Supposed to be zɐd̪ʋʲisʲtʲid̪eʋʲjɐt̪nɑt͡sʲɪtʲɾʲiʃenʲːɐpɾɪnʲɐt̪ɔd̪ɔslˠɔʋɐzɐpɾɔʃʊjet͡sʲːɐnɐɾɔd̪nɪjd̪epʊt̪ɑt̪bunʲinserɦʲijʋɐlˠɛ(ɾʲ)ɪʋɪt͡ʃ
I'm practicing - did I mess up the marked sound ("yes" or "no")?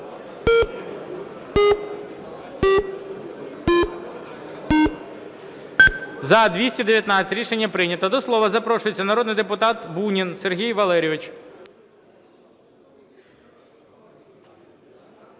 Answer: no